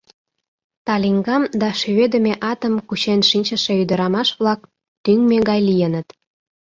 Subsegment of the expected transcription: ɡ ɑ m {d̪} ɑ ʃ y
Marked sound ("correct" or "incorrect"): correct